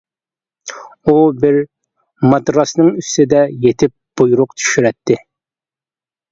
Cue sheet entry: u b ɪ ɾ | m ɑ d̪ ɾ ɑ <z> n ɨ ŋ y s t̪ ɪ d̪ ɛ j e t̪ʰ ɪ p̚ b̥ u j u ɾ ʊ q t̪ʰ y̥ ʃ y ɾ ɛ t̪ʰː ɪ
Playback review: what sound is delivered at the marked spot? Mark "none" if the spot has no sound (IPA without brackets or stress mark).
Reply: s